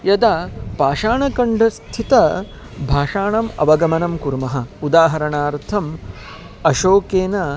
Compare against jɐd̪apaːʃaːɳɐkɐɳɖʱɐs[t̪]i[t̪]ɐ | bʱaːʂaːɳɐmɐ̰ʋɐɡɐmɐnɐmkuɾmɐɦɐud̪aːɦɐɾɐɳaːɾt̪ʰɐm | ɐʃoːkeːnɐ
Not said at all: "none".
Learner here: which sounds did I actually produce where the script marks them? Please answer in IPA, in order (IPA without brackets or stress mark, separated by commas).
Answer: t̪ʰ, t̪